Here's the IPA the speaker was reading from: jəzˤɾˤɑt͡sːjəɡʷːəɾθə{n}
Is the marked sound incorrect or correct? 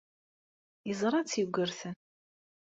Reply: correct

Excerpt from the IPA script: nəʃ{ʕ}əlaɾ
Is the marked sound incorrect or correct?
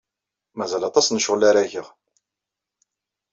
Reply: incorrect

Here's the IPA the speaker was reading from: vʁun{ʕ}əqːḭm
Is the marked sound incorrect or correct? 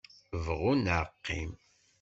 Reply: correct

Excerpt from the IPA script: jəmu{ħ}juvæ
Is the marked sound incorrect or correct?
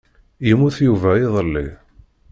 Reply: incorrect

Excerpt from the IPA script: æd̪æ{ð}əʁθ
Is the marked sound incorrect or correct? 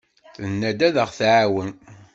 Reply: correct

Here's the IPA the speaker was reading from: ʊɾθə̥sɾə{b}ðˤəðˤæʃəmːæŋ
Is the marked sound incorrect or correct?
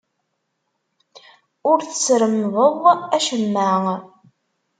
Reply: incorrect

